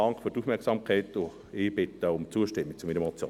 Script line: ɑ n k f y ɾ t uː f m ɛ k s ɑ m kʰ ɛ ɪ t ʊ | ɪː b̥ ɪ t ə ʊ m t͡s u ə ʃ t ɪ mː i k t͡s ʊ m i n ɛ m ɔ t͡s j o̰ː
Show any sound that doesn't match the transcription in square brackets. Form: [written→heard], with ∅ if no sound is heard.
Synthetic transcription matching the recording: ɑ [n→ŋ] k f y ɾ t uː f m ɛ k s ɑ m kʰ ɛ ɪ t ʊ | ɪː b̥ ɪ t ə ʊ m t͡s u ə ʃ t ɪ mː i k t͡s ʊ m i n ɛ m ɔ t͡s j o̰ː